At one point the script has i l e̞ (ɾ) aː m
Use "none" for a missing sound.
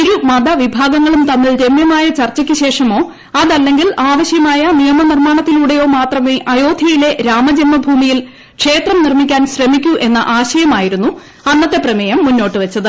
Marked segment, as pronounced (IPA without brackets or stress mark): ɾ